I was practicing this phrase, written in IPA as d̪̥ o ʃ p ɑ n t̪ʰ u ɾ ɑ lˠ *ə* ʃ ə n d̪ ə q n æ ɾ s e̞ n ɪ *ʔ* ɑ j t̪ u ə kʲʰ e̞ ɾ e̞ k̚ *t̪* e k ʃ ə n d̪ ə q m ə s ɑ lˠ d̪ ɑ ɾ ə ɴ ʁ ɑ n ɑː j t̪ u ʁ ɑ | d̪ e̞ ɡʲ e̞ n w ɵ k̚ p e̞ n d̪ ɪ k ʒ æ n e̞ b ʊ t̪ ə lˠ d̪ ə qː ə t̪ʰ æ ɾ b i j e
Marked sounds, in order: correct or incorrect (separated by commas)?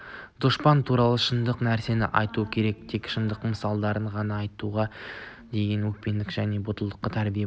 correct, correct, incorrect